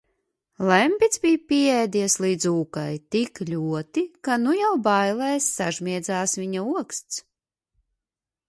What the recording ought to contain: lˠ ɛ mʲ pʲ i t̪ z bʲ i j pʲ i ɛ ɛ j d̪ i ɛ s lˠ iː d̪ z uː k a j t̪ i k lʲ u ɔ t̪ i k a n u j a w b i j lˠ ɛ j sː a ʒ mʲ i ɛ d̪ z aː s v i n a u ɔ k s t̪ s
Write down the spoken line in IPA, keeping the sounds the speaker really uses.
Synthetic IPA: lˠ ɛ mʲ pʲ i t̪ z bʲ i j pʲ i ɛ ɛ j d̪ i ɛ s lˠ iː d̪ z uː k a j t̪ i k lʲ u ɔ t̪ i k a n u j a w b a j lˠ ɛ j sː a ʒ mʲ i ɛ d̪ z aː s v i ɲ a u ɔ k s t̪ s